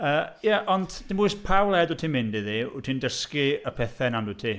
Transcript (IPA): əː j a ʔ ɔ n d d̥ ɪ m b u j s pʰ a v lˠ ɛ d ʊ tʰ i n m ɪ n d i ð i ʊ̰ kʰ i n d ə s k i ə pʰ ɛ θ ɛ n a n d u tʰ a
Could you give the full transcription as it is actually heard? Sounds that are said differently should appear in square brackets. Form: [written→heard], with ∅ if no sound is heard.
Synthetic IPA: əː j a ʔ ɔ n d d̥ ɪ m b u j s pʰ a [v→w] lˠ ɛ d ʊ tʰ i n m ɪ n d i ð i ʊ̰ [kʰ→tʰ] i n d ə s k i ə pʰ ɛ θ ɛ n a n d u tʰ [a→i]

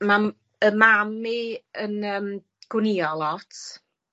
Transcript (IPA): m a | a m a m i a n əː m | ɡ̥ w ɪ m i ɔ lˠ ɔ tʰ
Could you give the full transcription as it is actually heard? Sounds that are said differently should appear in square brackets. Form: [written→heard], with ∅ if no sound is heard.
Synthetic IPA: m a | [a→ə] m a m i [a→ə] n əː m | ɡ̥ w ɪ [m→n] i ɔ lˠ ɔ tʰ

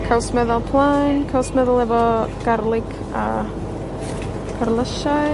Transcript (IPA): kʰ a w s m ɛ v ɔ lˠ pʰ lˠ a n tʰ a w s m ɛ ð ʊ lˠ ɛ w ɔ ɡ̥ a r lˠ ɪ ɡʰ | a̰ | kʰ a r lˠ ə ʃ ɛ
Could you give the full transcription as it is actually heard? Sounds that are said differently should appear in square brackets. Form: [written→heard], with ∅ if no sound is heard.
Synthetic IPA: kʰ a w s m ɛ [v→ð] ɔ lˠ pʰ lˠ a n [tʰ→kʰ] a w s m ɛ ð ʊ lˠ ɛ [w→v] ɔ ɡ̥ a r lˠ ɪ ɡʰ | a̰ | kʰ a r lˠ ə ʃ [ɛ→a]

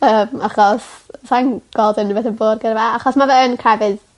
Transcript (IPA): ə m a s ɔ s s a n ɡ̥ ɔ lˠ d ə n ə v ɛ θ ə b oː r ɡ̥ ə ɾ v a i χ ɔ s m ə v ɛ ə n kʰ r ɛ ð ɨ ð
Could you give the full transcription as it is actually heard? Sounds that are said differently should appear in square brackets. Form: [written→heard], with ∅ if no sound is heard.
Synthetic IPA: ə m a [s→χ] ɔ s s a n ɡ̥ ɔ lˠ d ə n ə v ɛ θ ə b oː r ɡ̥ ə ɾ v a [i→a] χ ɔ s m [ə→a] v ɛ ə n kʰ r ɛ [ð→v] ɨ ð

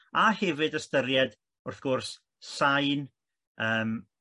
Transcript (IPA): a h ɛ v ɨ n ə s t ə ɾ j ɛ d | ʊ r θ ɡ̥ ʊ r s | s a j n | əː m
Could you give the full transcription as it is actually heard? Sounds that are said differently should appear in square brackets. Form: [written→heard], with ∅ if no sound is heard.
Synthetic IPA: a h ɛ v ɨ [n→d] ə s t ə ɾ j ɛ d | ʊ r θ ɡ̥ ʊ r s | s a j n | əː m

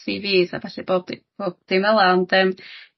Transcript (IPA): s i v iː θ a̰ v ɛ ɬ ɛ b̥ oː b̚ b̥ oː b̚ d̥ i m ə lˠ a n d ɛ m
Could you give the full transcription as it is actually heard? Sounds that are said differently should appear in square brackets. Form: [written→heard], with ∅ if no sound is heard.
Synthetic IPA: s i v iː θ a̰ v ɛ ɬ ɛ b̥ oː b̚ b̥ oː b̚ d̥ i m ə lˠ a n d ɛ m

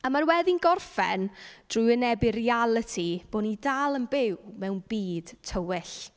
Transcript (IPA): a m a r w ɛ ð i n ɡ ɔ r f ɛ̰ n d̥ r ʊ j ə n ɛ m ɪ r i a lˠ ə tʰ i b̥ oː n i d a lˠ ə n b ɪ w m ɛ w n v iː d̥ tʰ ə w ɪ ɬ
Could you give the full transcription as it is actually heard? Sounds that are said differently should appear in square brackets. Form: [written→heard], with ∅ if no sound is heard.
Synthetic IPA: a m a r w ɛ ð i n ɡ ɔ r f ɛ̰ n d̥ r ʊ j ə n ɛ [m→b] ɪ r i a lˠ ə tʰ i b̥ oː n i d a lˠ ə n b ɪ w m ɛ w n [v→b] iː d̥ tʰ ə w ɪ ɬ

